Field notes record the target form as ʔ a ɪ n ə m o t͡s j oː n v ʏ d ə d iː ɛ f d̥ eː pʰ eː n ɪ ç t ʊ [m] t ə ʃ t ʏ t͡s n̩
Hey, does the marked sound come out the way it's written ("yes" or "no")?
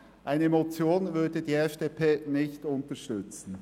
no